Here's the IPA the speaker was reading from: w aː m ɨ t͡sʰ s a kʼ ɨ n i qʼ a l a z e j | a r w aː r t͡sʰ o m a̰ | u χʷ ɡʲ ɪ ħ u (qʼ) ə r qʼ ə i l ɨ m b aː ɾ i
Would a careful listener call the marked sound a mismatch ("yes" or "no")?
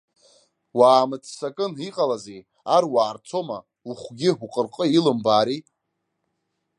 no